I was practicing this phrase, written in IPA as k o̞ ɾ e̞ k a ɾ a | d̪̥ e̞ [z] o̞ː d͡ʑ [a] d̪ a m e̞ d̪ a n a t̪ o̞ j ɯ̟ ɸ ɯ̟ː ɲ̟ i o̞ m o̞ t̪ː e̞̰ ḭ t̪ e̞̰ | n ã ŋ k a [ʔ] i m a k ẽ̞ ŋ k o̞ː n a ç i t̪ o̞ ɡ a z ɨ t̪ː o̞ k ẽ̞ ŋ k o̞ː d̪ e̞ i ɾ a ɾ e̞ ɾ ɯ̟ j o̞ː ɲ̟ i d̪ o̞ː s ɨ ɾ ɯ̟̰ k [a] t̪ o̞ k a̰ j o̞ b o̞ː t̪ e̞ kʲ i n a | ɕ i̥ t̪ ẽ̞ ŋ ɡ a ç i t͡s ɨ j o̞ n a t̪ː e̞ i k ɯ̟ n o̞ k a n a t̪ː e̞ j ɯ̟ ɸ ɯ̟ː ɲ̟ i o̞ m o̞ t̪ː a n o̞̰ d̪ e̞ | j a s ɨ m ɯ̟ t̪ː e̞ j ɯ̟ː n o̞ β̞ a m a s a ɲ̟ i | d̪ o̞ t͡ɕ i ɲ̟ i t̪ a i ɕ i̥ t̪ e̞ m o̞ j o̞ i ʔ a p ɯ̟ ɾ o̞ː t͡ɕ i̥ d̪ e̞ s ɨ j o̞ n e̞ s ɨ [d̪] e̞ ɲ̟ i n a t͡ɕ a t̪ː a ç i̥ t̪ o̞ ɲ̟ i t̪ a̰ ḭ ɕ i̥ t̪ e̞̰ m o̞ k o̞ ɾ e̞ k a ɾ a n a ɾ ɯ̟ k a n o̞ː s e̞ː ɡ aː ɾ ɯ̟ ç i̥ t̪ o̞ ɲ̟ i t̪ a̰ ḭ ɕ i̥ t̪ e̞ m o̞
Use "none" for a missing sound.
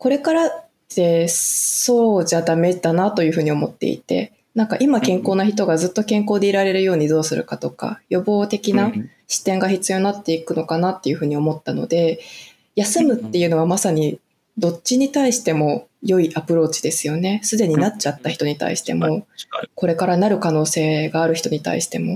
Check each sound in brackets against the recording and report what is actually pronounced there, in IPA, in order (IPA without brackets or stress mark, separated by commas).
s, a, ʔ, a, d̪